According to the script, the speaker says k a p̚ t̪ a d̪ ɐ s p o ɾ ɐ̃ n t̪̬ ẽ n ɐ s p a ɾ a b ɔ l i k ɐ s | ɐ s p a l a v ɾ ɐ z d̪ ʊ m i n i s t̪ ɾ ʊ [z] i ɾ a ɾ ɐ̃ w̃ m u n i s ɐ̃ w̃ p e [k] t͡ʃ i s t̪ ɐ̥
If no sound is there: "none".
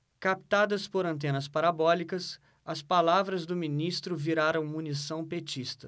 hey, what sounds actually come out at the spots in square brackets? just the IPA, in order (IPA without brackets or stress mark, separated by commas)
v, none